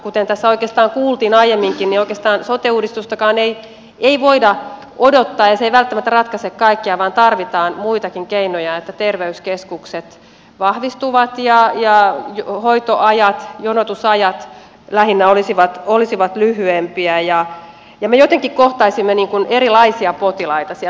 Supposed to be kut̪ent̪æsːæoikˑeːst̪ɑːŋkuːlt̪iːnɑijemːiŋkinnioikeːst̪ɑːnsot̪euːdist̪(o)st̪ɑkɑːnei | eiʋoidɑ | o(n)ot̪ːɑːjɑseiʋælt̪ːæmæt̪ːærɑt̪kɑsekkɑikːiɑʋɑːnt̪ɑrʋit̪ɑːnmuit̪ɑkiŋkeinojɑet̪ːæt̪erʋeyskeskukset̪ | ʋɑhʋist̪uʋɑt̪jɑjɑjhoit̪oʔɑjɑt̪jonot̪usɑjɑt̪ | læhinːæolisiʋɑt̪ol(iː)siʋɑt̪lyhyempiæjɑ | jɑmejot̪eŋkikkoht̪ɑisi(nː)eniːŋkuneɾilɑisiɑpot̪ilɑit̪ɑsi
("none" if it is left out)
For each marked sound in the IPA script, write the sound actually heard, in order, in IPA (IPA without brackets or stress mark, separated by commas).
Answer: u, d, i, mː